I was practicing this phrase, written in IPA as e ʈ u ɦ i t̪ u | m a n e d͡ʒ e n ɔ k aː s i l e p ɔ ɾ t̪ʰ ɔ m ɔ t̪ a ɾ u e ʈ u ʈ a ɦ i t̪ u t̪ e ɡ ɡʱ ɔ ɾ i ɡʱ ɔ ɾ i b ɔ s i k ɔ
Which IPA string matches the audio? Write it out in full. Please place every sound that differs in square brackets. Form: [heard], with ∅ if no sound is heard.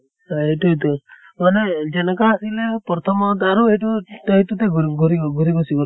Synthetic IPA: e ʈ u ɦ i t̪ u | m a n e d͡ʒ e n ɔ k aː s i l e p ɔ ɾ t̪ʰ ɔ m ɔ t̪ a ɾ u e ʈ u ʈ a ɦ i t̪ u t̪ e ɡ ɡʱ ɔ ɾ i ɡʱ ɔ ɾ i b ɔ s i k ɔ